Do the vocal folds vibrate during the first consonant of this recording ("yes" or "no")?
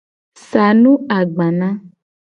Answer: no